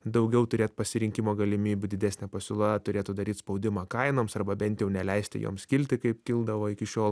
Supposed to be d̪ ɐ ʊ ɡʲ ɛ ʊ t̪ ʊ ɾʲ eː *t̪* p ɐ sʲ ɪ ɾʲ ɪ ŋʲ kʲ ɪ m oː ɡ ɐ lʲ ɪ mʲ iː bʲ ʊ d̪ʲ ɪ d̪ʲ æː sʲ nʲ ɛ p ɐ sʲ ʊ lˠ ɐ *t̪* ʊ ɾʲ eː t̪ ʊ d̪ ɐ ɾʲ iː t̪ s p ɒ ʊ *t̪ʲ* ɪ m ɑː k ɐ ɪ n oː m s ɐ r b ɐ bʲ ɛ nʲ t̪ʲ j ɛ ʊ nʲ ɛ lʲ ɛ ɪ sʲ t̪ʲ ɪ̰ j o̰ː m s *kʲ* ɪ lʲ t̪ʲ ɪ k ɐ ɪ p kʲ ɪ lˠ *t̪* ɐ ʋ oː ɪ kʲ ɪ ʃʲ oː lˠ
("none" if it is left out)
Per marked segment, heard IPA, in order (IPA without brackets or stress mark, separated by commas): t̪, t̪, d̪ʲ, kʲ, d̪